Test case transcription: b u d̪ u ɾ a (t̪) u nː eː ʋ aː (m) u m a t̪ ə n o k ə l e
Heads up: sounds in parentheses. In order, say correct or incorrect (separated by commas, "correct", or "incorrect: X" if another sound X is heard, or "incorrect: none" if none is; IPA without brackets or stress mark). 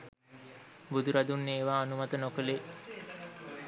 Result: incorrect: d̪, incorrect: n